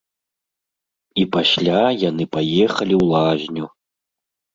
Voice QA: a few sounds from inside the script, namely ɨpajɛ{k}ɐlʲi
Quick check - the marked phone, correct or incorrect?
incorrect